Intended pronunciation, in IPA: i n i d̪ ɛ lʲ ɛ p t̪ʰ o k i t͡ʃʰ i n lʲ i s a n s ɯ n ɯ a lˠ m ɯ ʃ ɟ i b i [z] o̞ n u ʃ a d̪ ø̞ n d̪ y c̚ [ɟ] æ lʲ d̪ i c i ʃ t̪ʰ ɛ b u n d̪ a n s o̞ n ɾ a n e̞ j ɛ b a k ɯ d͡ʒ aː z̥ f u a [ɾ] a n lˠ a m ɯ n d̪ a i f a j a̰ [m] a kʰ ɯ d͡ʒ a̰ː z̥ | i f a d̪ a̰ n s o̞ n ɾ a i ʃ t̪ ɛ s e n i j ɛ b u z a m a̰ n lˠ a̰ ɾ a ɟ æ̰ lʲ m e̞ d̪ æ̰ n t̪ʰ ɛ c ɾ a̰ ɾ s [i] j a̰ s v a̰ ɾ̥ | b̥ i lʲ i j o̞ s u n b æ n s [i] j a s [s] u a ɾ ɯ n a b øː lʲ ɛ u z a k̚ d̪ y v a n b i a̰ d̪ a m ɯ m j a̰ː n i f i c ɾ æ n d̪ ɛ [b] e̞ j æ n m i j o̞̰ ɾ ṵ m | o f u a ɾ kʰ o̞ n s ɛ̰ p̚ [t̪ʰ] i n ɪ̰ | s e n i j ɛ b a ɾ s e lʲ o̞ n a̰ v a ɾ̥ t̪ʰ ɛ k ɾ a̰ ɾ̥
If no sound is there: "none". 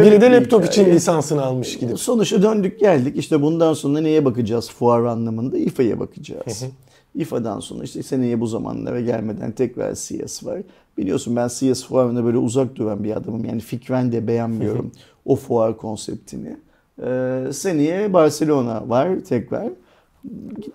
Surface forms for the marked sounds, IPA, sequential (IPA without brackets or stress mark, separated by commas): s, ɟ, ɾ, b, i, i, f, b, t̪ʰ